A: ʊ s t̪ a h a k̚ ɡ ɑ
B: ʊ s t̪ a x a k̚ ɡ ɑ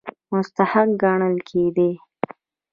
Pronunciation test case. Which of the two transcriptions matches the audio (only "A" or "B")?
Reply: A